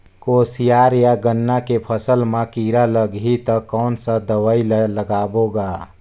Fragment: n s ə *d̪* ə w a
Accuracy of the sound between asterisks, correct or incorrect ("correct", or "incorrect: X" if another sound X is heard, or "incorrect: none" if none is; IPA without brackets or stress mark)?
correct